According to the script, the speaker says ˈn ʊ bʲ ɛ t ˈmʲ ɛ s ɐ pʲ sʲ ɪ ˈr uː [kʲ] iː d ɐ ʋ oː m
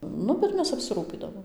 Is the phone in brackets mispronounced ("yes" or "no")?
yes